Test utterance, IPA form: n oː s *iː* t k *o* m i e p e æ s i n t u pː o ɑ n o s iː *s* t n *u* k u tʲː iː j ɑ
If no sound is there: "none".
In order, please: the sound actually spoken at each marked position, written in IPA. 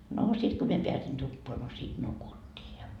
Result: i, o, none, u

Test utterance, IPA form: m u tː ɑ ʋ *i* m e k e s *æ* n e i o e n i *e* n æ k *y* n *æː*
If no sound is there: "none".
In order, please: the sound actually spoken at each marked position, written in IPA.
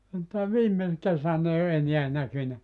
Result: iː, æ, æ, y, æ

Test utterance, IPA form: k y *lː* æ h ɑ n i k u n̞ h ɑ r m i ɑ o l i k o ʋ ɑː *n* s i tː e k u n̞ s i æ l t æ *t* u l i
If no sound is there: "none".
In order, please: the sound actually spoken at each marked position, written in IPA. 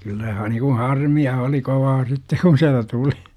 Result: lː, none, t

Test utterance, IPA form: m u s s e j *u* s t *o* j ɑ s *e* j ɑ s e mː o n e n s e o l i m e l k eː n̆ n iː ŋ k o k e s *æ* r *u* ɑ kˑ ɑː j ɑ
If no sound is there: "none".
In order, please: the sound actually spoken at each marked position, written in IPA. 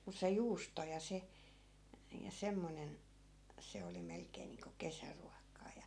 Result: uː, o, e, æ, u

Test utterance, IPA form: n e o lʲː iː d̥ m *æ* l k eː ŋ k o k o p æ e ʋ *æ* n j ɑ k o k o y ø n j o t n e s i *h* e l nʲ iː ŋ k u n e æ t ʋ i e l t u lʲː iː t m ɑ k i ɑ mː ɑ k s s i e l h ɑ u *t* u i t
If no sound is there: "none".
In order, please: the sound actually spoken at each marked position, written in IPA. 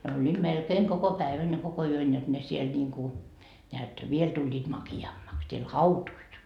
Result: e, æ, none, t

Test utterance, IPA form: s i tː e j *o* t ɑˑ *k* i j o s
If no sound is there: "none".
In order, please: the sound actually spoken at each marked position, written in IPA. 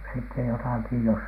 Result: o, k

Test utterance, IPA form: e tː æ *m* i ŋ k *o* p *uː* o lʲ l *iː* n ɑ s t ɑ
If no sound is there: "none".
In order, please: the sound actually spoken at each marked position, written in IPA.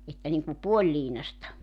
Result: n, u, u, iː

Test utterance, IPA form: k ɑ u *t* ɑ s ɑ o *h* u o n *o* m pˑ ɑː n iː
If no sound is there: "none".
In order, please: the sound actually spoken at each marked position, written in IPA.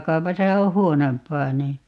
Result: p, h, o

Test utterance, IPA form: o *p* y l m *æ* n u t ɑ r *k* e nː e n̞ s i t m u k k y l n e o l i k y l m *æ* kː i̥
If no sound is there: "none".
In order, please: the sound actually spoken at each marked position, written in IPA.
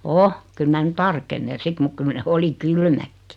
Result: k, æ, k, æ

